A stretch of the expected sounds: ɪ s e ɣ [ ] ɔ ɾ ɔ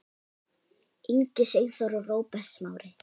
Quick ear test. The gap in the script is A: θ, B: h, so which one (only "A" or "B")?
A